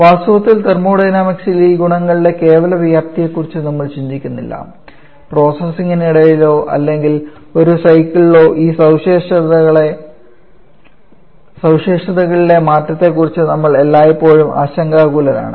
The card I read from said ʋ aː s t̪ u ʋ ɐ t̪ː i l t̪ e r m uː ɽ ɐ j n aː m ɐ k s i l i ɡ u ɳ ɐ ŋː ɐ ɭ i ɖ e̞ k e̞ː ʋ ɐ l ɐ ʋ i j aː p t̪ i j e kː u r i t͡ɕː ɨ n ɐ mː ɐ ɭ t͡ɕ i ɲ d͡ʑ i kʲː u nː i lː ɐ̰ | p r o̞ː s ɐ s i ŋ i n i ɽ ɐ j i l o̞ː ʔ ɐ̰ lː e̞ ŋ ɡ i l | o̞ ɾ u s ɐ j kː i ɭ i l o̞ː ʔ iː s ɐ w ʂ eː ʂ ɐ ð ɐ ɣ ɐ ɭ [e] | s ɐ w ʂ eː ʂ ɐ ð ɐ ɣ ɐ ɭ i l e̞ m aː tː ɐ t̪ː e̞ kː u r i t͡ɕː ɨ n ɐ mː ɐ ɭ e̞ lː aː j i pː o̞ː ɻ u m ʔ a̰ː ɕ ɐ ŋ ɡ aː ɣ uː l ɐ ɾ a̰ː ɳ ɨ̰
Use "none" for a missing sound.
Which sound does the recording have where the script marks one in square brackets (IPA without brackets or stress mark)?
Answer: e